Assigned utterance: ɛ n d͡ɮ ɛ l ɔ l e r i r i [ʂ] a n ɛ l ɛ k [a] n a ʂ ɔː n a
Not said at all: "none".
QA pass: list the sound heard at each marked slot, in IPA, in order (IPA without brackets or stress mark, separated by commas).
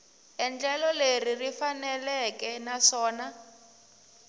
f, ɛ